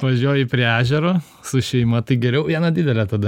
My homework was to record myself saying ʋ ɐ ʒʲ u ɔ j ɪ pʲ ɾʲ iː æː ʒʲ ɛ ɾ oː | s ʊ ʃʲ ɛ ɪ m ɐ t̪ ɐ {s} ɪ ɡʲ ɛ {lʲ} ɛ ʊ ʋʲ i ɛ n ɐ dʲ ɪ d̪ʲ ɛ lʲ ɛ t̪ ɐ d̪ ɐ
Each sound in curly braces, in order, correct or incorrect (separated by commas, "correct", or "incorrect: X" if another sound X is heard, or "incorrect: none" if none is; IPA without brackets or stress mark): incorrect: none, incorrect: ɾʲ